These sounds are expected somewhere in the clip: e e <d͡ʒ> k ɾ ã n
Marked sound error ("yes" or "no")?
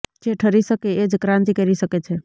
no